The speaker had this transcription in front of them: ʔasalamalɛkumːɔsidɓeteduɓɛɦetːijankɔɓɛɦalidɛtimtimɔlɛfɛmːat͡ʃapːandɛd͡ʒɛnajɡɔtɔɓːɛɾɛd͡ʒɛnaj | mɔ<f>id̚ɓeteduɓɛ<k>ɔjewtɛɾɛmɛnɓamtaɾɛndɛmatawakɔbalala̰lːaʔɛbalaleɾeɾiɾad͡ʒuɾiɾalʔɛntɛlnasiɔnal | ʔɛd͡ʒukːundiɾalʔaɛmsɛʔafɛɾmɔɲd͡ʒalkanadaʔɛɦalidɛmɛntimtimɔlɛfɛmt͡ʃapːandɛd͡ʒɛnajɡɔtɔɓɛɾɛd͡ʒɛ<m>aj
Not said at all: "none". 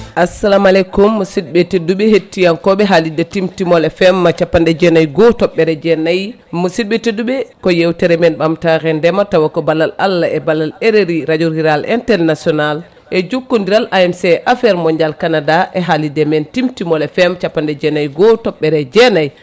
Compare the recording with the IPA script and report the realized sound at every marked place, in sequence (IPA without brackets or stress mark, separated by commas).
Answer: s, k, n